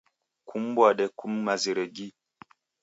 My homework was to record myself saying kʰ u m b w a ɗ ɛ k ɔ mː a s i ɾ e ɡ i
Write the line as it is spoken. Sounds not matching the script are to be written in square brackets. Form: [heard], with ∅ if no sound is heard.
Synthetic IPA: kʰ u m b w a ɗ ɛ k [u] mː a [z] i ɾ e ɡ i